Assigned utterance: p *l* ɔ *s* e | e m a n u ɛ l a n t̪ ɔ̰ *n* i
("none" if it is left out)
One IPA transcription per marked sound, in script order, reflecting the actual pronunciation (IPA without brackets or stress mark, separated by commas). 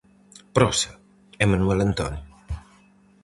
ɾ, s, n